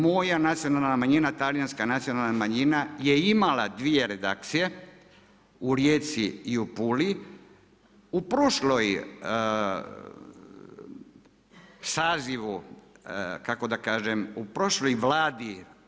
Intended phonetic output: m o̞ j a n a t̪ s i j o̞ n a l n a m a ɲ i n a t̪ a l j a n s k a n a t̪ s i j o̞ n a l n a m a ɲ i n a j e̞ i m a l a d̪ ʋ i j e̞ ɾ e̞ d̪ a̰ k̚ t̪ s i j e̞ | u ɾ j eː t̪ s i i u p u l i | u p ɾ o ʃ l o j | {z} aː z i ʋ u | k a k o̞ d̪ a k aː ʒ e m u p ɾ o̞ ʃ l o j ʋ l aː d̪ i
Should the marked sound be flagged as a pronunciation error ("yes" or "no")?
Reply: yes